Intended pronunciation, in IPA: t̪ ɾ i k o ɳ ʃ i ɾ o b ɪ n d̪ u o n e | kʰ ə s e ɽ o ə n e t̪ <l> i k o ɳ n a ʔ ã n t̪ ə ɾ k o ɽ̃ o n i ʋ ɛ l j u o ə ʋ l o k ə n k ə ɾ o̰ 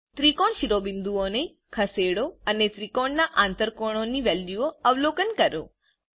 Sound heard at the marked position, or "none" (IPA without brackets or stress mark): ɾ